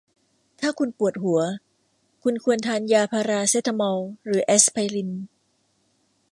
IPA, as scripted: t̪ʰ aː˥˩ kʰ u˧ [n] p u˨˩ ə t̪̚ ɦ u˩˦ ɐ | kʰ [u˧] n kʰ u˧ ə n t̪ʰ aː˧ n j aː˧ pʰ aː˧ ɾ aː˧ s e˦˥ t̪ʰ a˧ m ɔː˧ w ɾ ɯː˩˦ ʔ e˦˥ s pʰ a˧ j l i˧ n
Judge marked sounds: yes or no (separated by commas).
yes, yes